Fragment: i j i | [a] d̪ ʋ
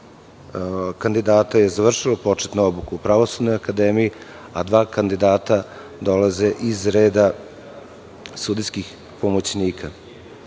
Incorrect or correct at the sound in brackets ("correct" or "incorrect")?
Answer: correct